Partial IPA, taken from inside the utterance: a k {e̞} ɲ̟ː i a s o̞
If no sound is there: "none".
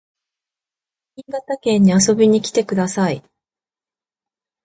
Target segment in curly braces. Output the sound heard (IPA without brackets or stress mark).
ẽ̞